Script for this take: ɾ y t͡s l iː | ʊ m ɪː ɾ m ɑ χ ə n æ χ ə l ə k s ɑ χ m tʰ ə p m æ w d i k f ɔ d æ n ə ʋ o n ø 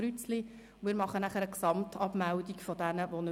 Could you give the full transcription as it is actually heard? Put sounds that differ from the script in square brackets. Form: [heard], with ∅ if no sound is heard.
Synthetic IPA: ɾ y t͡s l [i] | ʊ m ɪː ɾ m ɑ χ ə n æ χ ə [ɾ] ə k s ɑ [∅] m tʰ [ɑ] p m æ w d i k f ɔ d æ n ə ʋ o n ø